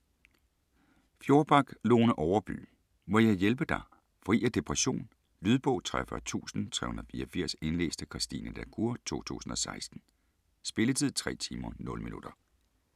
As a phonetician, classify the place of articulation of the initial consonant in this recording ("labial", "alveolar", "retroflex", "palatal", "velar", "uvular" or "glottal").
labial